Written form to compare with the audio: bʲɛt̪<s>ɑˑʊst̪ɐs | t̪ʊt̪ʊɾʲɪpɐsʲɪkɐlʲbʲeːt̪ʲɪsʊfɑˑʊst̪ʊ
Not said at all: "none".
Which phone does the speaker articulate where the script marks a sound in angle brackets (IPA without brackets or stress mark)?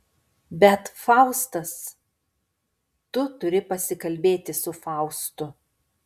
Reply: f